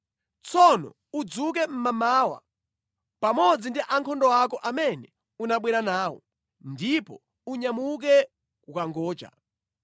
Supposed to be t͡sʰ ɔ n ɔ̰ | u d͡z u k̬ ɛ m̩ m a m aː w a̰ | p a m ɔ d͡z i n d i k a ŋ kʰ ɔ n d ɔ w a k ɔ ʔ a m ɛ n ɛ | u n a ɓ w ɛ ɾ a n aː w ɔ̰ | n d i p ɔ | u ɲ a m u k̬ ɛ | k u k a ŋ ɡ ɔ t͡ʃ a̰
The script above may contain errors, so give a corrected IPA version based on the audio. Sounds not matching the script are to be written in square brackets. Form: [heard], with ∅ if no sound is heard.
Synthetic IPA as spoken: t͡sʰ ɔ n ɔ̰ | u d͡z u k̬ ɛ m̩ m a m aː w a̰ | p a m ɔ d͡z i n d i [ʔ] a ŋ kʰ ɔ n d ɔ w a k ɔ ʔ a m ɛ n ɛ | u n a ɓ w ɛ ɾ a n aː w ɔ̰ | n d i p ɔ | u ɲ a m u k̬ ɛ | k u k a ŋ ɡ [ɔː] t͡ʃ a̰